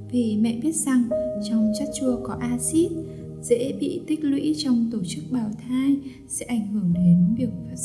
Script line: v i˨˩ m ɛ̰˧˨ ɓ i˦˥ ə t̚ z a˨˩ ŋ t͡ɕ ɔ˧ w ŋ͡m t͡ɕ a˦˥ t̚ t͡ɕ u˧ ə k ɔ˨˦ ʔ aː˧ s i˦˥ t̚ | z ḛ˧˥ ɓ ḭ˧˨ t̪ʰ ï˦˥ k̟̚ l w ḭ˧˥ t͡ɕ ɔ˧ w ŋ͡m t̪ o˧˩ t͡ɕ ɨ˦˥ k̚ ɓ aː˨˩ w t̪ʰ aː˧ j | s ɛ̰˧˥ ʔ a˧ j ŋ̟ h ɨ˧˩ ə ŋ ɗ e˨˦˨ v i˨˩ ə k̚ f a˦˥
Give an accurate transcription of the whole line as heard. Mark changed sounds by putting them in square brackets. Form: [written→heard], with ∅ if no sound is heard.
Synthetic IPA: v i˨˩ m ɛ̰˧˨ ɓ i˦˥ ə t̚ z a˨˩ ŋ t͡ɕ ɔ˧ w ŋ͡m t͡ɕ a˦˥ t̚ t͡ɕ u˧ ə k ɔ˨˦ ʔ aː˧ s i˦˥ t̚ | z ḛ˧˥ ɓ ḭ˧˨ [t̪ʰ→t̪] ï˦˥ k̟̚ l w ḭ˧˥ t͡ɕ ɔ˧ w ŋ͡m t̪ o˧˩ t͡ɕ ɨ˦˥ k̚ ɓ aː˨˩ w t̪ʰ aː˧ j | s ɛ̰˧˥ ʔ [a˧→a˧˩] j ŋ̟ h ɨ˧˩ ə ŋ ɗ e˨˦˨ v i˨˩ ə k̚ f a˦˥